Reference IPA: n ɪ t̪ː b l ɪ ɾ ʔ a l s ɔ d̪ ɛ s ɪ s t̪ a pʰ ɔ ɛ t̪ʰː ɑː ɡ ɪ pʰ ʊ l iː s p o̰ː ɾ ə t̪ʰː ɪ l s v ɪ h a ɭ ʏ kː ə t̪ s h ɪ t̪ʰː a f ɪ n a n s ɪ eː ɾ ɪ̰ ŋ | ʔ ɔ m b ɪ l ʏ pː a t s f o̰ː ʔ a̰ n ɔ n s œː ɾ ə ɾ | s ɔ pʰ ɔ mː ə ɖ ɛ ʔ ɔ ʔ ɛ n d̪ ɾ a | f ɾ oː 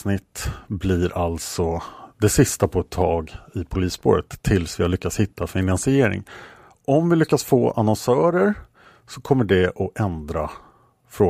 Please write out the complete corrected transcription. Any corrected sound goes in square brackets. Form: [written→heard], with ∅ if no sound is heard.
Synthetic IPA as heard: n ɪ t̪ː b l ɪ ɾ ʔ a l s ɔ d̪ ɛ s ɪ s t̪ a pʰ ɔ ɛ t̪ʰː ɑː ɡ ɪ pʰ ʊ l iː s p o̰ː ɾ ə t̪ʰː ɪ l s v ɪ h a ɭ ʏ kː [ə→a] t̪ s h ɪ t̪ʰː a f ɪ n a n s ɪ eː ɾ ɪ̰ ŋ | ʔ ɔ m [b→v] ɪ l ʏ [pː→kː] a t s f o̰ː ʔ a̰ n ɔ n s œː ɾ ə ɾ | s ɔ [pʰ→kʰ] ɔ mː ə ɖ ɛ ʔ ɔ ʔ ɛ n d̪ ɾ a | f ɾ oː